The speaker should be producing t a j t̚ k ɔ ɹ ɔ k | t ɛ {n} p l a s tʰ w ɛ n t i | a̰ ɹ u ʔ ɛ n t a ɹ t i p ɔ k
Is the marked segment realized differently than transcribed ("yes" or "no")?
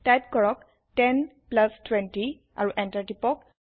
no